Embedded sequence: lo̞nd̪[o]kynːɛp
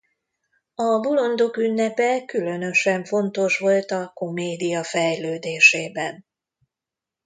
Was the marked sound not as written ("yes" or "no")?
no